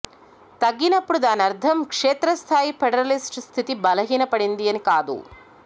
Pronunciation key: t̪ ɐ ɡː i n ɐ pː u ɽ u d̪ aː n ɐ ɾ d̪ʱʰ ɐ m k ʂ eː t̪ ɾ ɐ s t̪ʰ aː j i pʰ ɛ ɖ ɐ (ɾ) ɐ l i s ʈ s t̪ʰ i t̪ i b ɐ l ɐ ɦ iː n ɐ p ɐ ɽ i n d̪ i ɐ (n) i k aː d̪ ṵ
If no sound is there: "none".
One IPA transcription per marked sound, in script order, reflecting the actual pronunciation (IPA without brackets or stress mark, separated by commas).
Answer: ɾ, n